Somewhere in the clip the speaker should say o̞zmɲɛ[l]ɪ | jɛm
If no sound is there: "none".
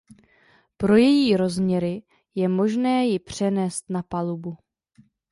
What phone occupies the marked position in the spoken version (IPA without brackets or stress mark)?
ɾ